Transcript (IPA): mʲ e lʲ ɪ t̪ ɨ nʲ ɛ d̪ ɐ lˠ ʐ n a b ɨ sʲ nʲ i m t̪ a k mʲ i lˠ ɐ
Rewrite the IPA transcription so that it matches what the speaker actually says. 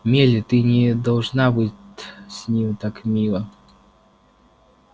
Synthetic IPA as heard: mʲ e lʲ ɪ t̪ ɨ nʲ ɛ d̪ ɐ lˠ ʐ n a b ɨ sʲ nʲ i m t̪ a k mʲ i lˠ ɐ